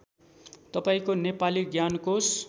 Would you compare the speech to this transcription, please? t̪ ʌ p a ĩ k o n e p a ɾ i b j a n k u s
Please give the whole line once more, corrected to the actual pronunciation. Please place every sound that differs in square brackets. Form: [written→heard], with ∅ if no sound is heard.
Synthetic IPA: t̪ ʌ p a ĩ k o n e p a [ɾ→l] i [b→ɡ] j a n k [u→o] s